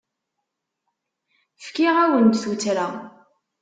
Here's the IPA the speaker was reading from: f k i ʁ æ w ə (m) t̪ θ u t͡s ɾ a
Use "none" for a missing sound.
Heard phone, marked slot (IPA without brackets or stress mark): n